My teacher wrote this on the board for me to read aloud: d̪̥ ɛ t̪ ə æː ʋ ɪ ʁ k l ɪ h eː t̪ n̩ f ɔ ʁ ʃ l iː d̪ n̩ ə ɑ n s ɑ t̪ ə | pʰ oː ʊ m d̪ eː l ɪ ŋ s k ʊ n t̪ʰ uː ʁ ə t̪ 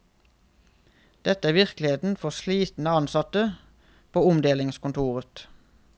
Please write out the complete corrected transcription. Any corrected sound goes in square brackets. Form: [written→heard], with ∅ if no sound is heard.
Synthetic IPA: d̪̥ ɛ t̪ ə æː ʋ ɪ ʁ k l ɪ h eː t̪ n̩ f ɔ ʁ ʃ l iː [d̪→t̪] n̩ ə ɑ n s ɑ t̪ ə | pʰ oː ʊ m d̪ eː l ɪ ŋ s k ʊ n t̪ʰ uː ʁ ə t̪